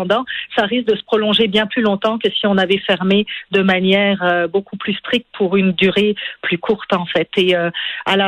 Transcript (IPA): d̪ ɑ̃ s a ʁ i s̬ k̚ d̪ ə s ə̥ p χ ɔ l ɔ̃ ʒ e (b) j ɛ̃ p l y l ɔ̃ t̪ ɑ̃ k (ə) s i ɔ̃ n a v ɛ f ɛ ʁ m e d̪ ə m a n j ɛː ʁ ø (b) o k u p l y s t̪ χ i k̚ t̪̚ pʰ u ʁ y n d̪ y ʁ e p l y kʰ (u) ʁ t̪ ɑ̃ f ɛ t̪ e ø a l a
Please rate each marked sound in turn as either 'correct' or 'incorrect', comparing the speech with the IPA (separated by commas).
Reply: correct, correct, correct, correct